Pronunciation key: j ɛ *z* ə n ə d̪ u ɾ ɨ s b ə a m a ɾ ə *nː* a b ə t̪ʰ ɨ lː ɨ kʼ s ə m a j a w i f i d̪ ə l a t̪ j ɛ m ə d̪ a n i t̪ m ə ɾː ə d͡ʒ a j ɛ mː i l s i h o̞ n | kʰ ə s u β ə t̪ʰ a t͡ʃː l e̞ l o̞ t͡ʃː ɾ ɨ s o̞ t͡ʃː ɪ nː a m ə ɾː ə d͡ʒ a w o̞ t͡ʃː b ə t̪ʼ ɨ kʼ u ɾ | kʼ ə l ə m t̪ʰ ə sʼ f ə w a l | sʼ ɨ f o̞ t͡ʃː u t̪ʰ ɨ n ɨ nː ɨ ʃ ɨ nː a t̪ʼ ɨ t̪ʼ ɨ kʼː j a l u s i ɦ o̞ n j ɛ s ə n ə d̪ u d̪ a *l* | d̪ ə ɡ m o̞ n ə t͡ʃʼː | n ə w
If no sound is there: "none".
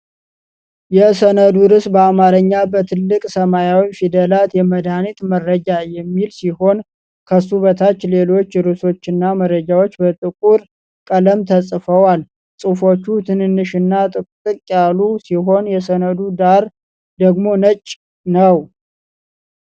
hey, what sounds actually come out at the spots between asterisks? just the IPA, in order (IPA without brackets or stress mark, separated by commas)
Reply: s, ɲː, ɾ